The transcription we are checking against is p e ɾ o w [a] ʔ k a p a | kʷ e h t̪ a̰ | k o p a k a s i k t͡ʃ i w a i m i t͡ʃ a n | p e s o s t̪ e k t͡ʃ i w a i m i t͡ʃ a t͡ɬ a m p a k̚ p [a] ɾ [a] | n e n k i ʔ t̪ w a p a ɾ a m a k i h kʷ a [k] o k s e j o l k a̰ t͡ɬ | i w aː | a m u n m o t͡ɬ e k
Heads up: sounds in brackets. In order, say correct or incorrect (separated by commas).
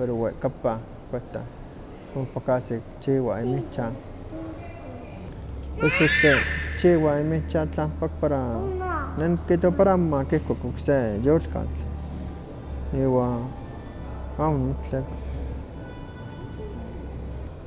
incorrect, correct, correct, correct